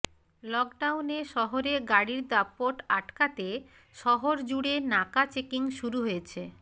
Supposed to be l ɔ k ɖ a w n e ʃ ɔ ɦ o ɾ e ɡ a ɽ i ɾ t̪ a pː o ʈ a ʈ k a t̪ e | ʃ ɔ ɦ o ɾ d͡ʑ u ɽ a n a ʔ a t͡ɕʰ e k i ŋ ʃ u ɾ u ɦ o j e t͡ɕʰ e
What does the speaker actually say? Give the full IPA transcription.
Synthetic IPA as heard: l ɔ k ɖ a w n e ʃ ɔ ɦ o ɾ e ɡ a ɽ i ɾ d̪ a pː o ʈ a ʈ k a t̪ e | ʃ ɔ ɦ o ɾ d͡ʑ u ɽ e n a k a t͡ɕ e k i ŋ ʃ u ɾ u ɦ o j e t͡ɕʰ e